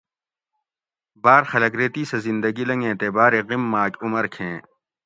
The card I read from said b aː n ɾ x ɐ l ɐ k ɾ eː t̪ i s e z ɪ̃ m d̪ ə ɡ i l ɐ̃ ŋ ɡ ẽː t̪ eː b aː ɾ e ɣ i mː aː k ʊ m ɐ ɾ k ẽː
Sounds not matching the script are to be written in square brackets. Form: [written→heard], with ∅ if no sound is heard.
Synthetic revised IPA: b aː [n→∅] ɾ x ɐ l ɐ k ɾ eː t̪ i s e z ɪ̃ [m→n] d̪ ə ɡ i l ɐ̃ ŋ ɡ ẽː t̪ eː b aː ɾ e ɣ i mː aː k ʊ m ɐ ɾ [k→kʰ] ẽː